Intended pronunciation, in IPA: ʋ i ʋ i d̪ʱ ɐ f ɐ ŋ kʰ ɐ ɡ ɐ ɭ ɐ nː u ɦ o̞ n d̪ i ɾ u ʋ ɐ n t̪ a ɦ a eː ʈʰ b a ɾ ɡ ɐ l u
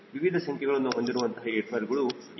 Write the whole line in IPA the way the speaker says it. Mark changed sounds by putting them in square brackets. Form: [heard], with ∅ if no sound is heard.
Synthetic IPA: ʋ i ʋ i d̪ʱ ɐ [s] ɐ ŋ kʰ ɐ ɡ ɐ ɭ ɐ nː u ɦ o̞ n d̪ i ɾ u ʋ ɐ n t̪ [ɐ] ɦ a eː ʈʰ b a ɾ ɡ ɐ [ɭ] u